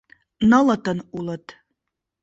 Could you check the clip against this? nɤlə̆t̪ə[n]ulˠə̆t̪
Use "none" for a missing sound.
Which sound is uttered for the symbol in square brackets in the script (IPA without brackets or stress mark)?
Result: n